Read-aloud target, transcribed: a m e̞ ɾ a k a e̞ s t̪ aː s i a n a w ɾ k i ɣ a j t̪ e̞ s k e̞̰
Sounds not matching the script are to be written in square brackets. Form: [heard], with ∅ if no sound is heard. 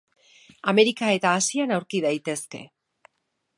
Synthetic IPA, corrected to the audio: a m e̞ ɾ [i] k a e̞ [∅] t̪ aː s i a n a w ɾ k i [ð] a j t̪ e̞ s k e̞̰

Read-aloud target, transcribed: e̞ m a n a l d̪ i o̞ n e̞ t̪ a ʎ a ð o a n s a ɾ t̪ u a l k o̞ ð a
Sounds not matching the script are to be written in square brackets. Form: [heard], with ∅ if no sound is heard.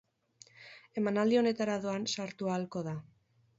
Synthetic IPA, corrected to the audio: e̞ m a n a l d̪ i o̞ n e̞ t̪ a [ɾ] a ð o a n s a ɾ t̪ u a l k o̞ ð a

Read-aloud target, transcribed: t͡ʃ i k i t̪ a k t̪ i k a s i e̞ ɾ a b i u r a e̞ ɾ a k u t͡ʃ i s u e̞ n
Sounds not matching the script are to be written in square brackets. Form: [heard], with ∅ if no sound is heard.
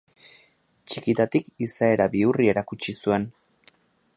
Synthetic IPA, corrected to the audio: t͡ʃ i k i t̪ a [∅] t̪ i k [i] s [a] e̞ ɾ a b i u r [i] e̞ ɾ a k u t͡ʃ i s u e̞ n

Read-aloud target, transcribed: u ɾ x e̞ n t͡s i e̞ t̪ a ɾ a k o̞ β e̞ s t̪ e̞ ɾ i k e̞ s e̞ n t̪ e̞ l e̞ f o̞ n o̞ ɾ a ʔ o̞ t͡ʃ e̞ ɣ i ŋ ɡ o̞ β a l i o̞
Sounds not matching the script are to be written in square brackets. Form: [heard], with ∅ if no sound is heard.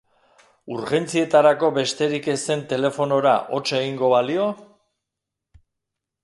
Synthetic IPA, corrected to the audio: u ɾ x e̞ n t͡s i e̞ t̪ a ɾ a k o̞ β e̞ s t̪ e̞ ɾ i k e̞ s e̞ n t̪ e̞ l e̞ f o̞ n o̞ ɾ a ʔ o̞ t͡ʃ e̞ ɣ i ŋ ɡ o̞ β a l i o̞

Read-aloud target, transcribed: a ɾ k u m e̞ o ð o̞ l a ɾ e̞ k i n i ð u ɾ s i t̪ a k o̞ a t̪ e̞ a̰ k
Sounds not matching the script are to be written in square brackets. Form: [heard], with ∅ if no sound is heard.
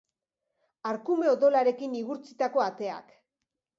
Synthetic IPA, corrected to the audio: a ɾ k u m e̞ o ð o̞ l a ɾ e̞ k i n i [ɣ] u ɾ [t͡s] i t̪ a k o̞ a t̪ e̞ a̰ k

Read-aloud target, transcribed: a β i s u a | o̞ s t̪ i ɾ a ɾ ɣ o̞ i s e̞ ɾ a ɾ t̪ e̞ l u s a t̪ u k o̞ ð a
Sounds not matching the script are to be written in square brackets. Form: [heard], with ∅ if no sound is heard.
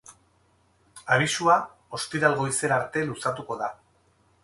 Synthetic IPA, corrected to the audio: a β i s u a | o̞ s t̪ i ɾ a [l] ɣ o̞ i s e̞ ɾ a ɾ t̪ e̞ l u s a t̪ u k o̞ ð a

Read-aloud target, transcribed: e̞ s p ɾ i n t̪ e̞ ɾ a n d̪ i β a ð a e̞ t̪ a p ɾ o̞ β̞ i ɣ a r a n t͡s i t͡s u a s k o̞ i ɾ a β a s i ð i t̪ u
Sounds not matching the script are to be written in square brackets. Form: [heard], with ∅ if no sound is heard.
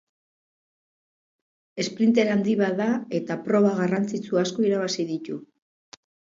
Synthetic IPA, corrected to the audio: e̞ s p ɾ i n t̪ e̞ ɾ a n d̪ i β a ð a e̞ t̪ a p ɾ o̞ β̞ [a] ɣ a r a n t͡s i t͡s u a s k o̞ i ɾ a β a s i ð i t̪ u

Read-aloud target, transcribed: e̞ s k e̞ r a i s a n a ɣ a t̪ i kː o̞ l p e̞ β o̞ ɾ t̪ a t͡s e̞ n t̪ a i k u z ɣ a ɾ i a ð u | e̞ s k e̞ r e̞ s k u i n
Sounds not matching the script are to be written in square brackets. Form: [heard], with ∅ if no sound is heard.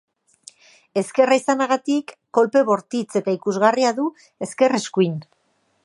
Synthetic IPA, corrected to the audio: e̞ s k e̞ r a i s a n a ɣ a t̪ i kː o̞ l p e̞ β o̞ ɾ t̪ [i] t͡s e̞ [∅] t̪ a i k u z ɣ a [r] i a ð u | e̞ s k e̞ r e̞ s k u i n

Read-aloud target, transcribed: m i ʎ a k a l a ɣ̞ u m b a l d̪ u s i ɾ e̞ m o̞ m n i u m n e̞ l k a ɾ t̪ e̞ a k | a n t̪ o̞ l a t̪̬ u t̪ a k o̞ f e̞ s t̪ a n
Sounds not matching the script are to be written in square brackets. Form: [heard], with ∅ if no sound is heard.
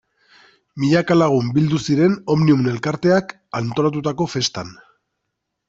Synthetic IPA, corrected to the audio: m i ʎ a k a l a ɣ̞ u m b [i] l d̪ u s i ɾ e̞ [n] o̞ m n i u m n e̞ l k a ɾ t̪ e̞ a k | a n t̪ o̞ l a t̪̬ u t̪ a k o̞ f e̞ s t̪ a n

